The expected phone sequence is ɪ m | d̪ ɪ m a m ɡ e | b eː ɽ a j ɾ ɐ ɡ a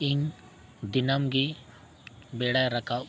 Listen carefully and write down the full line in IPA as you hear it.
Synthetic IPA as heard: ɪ ŋ | d̪ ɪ n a m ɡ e | b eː ɽ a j ɾ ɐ k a